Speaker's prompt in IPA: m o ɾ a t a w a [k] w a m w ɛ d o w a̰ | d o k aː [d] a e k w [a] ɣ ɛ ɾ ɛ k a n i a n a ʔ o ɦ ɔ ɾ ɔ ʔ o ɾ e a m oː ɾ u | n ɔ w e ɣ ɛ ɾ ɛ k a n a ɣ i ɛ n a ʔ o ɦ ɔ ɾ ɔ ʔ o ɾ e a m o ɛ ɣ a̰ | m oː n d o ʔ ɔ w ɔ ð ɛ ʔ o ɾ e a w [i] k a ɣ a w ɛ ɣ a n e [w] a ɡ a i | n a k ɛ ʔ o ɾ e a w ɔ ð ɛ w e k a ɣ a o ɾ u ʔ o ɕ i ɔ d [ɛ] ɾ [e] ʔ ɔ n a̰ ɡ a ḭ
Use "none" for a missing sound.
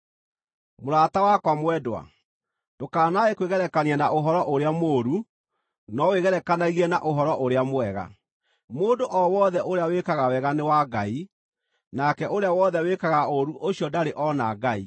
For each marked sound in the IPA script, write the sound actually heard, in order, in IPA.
k, n, e, e, w, a, e

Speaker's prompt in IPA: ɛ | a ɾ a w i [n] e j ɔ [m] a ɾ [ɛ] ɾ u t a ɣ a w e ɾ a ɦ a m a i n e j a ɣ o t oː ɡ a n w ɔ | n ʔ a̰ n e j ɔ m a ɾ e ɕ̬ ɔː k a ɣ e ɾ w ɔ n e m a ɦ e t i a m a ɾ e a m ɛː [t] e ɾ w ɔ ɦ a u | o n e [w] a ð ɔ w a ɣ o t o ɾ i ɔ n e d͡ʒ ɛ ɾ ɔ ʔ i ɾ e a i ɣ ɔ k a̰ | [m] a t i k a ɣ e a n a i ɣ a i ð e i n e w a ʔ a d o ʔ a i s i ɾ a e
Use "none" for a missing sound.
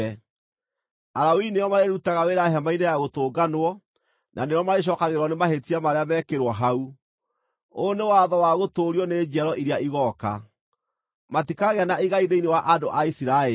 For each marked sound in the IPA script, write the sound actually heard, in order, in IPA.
n, m, e, k, w, m

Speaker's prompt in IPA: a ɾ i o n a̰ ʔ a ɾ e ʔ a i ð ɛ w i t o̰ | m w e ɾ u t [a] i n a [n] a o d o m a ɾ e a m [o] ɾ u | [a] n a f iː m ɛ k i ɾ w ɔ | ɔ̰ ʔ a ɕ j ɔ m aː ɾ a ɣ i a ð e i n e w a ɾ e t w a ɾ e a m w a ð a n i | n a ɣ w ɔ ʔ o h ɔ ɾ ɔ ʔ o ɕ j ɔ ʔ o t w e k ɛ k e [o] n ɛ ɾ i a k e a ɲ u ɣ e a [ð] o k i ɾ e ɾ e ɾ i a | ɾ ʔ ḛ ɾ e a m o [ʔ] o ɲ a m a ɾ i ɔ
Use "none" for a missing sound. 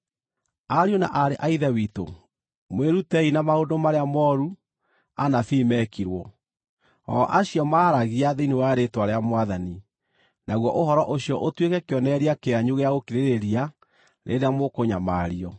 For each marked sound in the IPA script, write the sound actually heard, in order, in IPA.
ɛ, m, ɔ, a, ɔ, ɣ, k

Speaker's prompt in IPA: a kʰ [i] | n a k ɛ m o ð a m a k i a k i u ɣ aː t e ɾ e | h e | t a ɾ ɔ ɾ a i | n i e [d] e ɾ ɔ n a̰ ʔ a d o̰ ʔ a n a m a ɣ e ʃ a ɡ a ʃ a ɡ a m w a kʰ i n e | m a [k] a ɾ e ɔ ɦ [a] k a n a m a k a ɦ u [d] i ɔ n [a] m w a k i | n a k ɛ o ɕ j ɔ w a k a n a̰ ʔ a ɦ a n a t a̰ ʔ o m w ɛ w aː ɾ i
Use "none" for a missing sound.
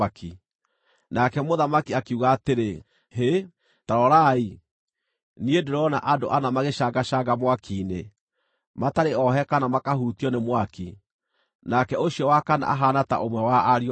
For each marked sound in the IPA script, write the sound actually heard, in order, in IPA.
i, d, t, ɛ, t, e

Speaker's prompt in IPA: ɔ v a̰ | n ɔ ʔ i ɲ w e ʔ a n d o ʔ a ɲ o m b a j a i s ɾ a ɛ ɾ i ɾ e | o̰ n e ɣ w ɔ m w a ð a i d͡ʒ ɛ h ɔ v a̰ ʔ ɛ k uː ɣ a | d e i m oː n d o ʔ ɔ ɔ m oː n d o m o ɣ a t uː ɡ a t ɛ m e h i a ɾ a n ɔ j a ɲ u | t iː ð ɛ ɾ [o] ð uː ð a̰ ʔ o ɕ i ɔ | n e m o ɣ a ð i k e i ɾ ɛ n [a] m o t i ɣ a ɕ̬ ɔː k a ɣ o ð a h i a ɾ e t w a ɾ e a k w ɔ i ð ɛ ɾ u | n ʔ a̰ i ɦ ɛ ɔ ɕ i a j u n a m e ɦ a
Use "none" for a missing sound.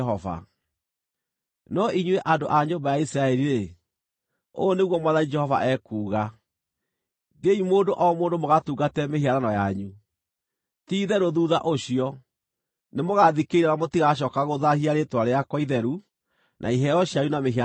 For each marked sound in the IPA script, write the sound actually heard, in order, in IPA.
o, a

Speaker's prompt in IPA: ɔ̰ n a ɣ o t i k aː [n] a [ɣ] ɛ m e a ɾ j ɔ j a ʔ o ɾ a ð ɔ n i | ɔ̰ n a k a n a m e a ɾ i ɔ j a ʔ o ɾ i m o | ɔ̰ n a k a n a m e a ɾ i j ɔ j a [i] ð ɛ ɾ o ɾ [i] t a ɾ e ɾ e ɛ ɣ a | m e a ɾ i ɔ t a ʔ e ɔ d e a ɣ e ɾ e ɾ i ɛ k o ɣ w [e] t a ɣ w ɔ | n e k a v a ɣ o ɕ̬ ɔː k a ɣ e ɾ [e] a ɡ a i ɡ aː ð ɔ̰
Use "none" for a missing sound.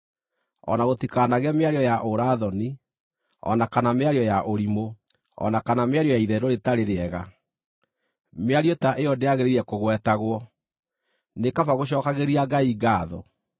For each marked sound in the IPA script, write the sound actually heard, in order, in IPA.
n, ɣ, i, e, ɛ, i

